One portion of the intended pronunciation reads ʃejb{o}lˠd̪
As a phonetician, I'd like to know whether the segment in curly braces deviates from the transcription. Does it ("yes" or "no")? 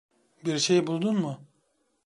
yes